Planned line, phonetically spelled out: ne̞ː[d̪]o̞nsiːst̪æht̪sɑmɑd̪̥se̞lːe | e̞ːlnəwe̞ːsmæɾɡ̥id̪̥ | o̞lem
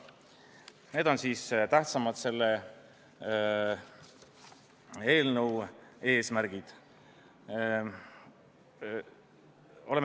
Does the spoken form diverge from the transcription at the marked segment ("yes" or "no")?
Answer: no